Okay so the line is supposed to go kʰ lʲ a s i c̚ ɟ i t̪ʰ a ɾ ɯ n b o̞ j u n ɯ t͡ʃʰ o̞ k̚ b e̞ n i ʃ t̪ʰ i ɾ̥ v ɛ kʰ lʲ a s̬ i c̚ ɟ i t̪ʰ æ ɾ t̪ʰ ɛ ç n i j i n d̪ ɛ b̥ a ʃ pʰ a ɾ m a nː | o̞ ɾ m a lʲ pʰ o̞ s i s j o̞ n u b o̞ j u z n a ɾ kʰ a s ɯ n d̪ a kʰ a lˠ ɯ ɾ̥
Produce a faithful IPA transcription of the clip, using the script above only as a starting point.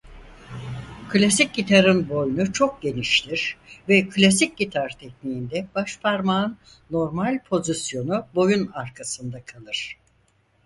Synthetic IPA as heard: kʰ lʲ a s i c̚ ɟ i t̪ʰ a ɾ ɯ n b o̞ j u n u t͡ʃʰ o̞ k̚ ɟ e̞ n i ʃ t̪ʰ i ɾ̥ v ɛ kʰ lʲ a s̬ i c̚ ɟ i t̪ʰ a ɾ t̪ʰ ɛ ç n i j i n d̪ ɛ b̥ a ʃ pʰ a ɾ m a nː | o̞ ɾ m a lʲ pʰ o̞ z i s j o̞ n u b o̞ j u n a ɾ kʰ a s ɯ n d̪ a kʰ a lˠ ɯ ɾ̥